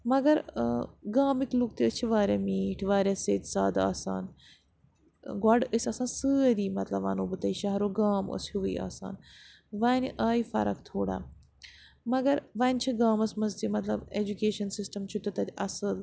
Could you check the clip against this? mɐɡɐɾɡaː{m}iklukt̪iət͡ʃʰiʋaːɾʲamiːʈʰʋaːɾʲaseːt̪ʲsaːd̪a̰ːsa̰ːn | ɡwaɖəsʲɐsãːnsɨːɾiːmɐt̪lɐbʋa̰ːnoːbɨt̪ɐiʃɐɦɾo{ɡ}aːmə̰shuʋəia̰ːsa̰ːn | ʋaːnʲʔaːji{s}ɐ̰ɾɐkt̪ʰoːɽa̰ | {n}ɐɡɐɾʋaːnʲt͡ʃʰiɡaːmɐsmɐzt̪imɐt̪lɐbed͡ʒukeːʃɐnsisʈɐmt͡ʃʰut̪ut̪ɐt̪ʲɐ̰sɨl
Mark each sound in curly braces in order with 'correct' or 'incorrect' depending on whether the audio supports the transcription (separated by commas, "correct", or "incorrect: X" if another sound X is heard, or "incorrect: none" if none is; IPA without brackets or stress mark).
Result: correct, correct, incorrect: f, incorrect: m